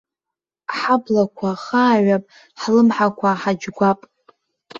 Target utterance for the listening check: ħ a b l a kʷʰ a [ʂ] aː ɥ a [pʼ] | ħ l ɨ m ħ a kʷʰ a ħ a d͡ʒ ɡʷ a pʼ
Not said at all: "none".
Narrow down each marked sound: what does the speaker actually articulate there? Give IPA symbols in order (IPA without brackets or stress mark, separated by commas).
χ, pʼ